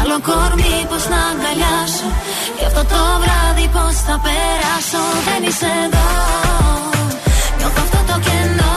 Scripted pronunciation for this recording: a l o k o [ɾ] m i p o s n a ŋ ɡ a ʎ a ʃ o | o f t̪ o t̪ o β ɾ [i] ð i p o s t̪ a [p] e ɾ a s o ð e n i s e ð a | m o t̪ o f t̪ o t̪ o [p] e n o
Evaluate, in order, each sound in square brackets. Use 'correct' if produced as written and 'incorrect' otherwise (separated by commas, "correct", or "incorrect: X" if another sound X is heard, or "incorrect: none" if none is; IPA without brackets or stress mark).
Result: correct, incorrect: a, correct, incorrect: k